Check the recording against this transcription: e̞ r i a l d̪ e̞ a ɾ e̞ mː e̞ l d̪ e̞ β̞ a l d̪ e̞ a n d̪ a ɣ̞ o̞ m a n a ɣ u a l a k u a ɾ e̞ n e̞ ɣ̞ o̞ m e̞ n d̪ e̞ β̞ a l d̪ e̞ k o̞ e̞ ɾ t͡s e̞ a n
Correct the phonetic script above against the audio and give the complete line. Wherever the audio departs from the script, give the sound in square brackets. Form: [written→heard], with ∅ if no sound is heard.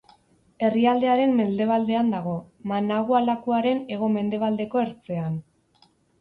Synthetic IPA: e̞ r i a l d̪ e̞ a ɾ e̞ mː e̞ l d̪ e̞ β̞ a l d̪ e̞ a n d̪ a ɣ̞ o̞ m a n a ɣ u a l a k u a ɾ e̞ n e̞ ɣ̞ o̞ m e̞ n d̪ e̞ β̞ a l d̪ e̞ k o̞ e̞ ɾ t͡s e̞ a n